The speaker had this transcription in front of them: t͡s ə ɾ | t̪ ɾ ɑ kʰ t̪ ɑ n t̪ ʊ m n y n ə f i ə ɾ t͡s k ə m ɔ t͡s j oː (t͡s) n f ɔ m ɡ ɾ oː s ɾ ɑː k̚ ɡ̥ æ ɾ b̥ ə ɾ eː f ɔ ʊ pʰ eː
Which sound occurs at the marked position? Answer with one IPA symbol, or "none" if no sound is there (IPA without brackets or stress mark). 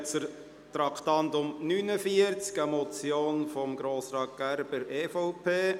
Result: none